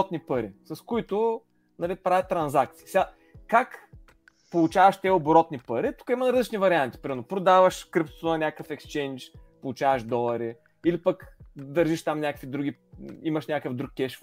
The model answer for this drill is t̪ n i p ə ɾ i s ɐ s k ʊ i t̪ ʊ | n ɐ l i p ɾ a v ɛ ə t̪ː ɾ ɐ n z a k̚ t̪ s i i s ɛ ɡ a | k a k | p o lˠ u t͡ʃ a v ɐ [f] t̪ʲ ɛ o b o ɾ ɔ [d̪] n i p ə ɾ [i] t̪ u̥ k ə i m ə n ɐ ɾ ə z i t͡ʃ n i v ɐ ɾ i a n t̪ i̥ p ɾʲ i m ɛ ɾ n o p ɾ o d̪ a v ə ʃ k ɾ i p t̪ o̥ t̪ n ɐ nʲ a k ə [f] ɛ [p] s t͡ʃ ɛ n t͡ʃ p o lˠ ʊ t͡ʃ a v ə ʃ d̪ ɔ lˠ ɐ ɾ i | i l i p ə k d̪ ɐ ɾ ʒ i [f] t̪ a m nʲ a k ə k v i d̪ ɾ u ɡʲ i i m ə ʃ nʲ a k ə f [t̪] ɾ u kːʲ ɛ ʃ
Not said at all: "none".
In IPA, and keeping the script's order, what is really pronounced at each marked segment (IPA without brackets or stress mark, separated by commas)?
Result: ʃ, t̪, i, f, k, ʃ, d̪